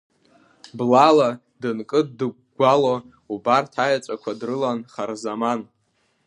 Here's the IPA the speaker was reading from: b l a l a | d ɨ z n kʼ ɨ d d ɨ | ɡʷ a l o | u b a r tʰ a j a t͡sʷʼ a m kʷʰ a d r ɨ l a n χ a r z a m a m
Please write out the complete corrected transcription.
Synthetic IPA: b l a l a | d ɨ n kʼ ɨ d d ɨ | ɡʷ a l o | u b a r tʰ a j a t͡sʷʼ a kʷʰ a d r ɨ l a n χ a r z a m a n